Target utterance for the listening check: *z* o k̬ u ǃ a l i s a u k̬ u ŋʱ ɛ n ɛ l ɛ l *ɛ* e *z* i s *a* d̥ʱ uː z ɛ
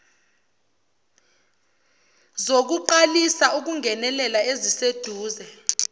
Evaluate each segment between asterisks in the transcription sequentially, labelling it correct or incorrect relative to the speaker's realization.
correct, incorrect, correct, incorrect

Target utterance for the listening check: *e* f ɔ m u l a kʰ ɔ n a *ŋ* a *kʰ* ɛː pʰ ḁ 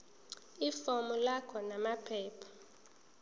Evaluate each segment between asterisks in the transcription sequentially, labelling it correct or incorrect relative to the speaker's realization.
incorrect, incorrect, incorrect

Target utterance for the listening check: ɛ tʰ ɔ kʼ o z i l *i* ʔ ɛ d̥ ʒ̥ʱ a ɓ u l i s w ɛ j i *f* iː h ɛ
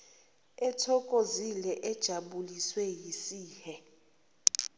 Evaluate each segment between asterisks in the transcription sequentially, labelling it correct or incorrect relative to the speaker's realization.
incorrect, incorrect

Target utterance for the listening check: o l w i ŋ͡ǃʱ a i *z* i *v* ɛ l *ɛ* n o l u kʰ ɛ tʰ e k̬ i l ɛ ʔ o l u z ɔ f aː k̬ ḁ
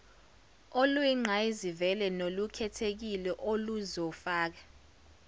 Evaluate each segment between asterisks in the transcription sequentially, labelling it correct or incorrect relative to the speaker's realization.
correct, correct, correct

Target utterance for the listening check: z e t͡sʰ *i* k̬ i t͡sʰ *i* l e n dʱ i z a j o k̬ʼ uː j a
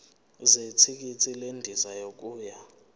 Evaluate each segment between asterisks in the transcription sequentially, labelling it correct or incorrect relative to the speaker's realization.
correct, correct

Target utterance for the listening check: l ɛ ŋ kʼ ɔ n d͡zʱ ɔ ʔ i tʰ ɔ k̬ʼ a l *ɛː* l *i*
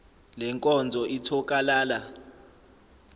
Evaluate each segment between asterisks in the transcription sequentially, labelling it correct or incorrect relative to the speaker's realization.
incorrect, incorrect

